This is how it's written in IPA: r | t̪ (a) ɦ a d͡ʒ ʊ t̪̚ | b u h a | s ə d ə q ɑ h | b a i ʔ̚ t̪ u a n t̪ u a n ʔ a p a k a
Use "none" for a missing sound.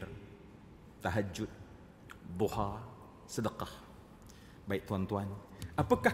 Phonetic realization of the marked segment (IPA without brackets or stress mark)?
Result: a